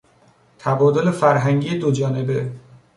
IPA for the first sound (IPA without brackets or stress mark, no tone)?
t̪ʰ